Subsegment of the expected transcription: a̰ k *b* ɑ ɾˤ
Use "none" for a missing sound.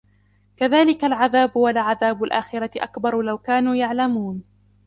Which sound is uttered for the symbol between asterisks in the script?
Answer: b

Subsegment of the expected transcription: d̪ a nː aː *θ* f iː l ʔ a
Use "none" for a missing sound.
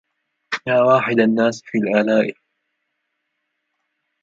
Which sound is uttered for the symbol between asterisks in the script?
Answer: s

